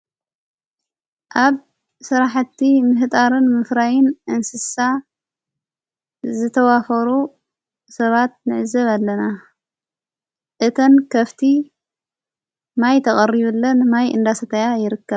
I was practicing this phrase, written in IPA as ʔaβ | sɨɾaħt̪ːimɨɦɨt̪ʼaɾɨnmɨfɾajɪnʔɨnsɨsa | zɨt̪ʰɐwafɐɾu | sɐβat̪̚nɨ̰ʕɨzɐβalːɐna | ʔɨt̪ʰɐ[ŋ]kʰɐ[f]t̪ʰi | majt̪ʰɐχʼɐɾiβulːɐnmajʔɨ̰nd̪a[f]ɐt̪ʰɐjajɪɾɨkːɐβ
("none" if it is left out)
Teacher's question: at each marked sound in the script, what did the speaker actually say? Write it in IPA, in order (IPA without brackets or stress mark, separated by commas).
n, f, s